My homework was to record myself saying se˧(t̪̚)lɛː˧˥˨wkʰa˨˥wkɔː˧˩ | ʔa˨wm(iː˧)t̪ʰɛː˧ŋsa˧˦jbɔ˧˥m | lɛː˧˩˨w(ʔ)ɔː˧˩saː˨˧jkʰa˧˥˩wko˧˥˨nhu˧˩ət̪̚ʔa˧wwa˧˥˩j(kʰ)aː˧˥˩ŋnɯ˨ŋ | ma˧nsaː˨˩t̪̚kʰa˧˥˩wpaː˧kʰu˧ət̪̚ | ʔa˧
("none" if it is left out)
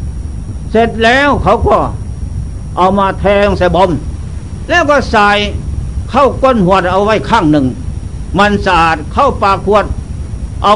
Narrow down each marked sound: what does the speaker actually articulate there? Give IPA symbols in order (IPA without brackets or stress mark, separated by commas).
t̪̚, aː˧, k, kʰ